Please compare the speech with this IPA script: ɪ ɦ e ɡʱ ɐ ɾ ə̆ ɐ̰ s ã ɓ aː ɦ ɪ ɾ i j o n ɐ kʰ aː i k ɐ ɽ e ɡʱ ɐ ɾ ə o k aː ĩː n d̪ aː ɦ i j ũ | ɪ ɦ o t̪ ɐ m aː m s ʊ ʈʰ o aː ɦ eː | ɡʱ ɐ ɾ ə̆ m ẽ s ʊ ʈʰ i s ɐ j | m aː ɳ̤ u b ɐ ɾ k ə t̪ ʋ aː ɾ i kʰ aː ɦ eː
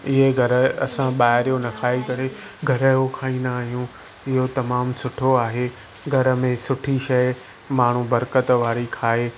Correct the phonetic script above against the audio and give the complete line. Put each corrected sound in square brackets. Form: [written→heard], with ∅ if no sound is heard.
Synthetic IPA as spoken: ɪ ɦ e ɡʱ ɐ ɾ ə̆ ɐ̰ s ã ɓ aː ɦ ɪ ɾ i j o n ɐ kʰ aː i k ɐ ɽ e ɡʱ ɐ ɾ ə o [k→kʰ] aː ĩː n d̪ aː ɦ i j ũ | ɪ ɦ o t̪ ɐ m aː m s ʊ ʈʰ o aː ɦ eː | ɡʱ ɐ ɾ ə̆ m ẽ s ʊ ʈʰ i [s→ʃ] ɐ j | m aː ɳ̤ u b ɐ ɾ k ə t̪ ʋ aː ɾ i kʰ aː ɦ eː